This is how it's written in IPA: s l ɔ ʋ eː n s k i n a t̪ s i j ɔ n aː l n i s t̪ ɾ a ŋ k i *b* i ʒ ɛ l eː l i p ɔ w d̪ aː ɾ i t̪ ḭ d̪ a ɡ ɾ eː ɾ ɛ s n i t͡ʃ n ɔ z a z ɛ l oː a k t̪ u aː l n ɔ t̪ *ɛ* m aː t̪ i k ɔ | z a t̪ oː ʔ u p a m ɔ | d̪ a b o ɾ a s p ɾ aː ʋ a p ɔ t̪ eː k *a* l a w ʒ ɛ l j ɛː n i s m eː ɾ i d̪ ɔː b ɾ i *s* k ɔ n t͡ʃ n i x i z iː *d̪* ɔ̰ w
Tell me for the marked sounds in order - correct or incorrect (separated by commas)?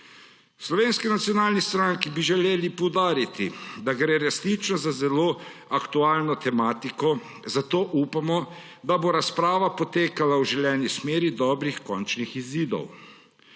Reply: correct, correct, correct, incorrect, correct